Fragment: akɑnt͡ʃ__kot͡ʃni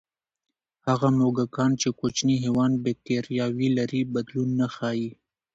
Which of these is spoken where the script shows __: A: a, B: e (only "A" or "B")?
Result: B